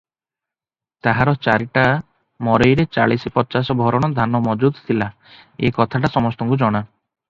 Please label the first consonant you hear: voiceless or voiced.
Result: voiceless